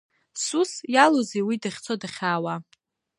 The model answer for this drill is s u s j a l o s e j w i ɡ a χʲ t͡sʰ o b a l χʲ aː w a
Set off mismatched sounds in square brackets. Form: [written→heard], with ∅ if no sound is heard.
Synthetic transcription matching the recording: s u s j a l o [s→z] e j w i [ɡ→d] a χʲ t͡sʰ o [b→d] a [l→∅] χʲ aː w a